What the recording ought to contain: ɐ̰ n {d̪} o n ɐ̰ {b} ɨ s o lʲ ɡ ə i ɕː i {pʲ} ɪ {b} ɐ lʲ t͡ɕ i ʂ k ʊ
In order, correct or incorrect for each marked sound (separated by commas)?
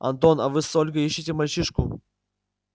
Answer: incorrect, incorrect, incorrect, incorrect